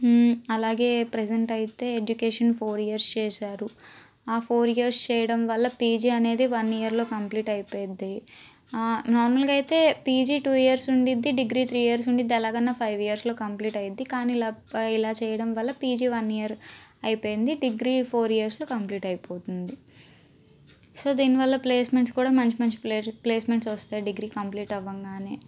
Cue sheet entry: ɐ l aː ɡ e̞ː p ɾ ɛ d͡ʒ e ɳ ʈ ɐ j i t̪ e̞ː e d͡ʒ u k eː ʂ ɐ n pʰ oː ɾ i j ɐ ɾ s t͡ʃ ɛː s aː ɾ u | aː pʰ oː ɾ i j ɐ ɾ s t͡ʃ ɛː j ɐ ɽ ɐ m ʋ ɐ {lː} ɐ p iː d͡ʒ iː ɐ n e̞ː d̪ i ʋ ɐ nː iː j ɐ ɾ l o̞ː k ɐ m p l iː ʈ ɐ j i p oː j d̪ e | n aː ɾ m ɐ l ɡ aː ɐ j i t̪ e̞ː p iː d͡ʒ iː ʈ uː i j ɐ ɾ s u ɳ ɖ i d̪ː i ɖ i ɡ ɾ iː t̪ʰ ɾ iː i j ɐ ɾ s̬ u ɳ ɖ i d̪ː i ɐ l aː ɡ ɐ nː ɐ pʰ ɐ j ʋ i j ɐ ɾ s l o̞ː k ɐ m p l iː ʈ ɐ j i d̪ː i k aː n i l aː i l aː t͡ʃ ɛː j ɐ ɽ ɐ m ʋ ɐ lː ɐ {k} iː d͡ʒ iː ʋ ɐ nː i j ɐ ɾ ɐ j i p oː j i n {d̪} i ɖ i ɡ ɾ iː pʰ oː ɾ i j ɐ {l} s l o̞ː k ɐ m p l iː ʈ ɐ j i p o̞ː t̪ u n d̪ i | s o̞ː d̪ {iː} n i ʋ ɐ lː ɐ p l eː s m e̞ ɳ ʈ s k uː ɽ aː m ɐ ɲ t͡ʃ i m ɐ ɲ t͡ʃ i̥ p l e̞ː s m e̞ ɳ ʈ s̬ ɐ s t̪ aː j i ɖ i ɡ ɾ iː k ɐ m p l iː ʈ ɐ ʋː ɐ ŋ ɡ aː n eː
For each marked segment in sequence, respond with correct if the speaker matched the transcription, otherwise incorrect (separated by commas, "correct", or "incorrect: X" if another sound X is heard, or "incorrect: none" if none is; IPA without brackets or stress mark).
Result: correct, incorrect: p, correct, incorrect: ɾ, correct